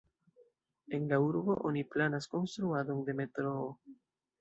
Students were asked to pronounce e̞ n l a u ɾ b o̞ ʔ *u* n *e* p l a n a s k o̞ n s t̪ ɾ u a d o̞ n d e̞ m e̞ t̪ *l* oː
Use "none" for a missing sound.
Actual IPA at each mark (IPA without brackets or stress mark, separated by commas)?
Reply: o, i, ɾ